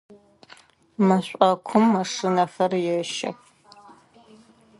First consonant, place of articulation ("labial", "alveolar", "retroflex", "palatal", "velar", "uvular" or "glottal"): labial